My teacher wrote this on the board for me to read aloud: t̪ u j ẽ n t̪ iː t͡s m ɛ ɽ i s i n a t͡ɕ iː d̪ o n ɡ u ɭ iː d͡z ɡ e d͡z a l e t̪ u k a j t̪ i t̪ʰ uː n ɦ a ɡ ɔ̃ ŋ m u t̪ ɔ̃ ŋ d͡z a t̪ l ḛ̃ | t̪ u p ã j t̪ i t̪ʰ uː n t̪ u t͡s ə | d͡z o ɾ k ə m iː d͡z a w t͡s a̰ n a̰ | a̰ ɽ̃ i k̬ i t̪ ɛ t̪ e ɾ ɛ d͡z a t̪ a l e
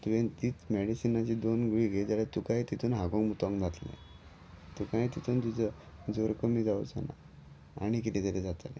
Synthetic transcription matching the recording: t̪ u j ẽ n t̪ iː t͡s m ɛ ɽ i s i n a t͡ɕ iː d̪ o n ɡ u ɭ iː ɡ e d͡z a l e t̪ u k a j t̪ i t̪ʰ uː n ɦ a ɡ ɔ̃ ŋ m u t̪ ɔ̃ ŋ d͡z a t̪ l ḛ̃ | t̪ u k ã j t̪ i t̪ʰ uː n t̪ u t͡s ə | d͡z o ɾ k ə m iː d͡z a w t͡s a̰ n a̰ | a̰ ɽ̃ i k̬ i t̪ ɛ t̪ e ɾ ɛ d͡z a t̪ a l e